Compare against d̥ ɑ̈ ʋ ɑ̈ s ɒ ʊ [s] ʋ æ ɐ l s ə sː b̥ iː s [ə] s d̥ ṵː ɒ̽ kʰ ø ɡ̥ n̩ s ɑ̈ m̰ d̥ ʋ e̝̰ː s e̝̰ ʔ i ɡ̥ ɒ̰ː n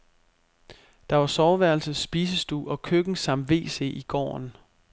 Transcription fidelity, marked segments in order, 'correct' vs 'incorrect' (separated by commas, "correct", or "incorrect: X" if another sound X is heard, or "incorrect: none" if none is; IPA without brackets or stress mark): incorrect: none, correct